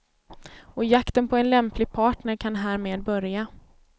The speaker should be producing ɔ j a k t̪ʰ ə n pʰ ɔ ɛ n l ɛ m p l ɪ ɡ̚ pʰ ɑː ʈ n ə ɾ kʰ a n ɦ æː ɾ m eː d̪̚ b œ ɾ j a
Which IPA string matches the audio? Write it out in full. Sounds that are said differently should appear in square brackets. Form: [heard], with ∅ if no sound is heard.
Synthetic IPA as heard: ɔ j a k [t̪] ə n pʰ ɔ ɛ n l ɛ m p l ɪ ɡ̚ pʰ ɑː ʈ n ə ɾ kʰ a n ɦ æː ɾ m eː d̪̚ b œ ɾ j a